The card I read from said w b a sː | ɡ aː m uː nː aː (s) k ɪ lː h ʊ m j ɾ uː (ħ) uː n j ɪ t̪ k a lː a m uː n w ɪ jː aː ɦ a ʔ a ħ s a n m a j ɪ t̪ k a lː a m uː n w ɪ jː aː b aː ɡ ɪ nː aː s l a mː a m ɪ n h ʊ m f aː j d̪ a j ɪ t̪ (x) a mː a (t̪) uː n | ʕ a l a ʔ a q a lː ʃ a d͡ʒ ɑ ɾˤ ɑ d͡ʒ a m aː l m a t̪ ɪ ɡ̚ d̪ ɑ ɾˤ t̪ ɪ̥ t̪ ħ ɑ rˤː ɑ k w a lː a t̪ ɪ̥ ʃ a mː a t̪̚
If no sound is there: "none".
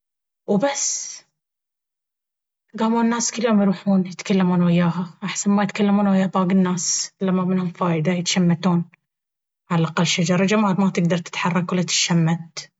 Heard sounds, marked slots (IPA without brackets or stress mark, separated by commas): s, ħ, ʃ, t̪